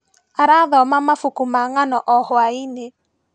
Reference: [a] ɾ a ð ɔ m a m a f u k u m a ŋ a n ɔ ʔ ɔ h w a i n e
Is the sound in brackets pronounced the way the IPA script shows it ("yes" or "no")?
yes